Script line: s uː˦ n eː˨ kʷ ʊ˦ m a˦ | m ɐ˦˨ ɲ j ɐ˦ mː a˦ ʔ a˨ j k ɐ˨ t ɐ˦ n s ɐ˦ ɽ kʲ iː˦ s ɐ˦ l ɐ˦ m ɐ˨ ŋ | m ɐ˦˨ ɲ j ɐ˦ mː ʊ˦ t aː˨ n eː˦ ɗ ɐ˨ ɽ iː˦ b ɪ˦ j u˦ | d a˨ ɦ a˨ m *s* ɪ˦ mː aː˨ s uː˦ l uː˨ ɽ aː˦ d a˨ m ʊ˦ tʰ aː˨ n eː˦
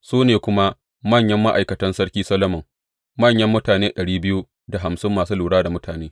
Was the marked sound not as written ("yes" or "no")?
no